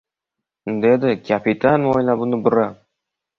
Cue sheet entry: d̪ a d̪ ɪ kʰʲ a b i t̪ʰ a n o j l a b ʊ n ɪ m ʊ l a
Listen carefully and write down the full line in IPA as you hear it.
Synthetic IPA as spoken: d̪ e d̪ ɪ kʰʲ a p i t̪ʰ a n o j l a b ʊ n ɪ b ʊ ɾ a